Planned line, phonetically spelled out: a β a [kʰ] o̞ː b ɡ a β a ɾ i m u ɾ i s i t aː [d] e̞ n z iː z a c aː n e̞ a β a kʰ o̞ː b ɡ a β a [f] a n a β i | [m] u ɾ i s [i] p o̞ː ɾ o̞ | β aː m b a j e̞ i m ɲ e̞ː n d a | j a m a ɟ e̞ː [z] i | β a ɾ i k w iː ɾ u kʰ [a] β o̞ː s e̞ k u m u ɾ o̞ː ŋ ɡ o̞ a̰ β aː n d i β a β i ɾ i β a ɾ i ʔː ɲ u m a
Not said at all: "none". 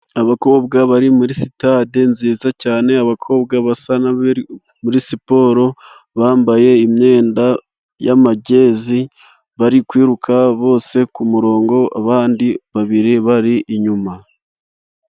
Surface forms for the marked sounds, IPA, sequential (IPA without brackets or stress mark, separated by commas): k, d, s, m, i, z, a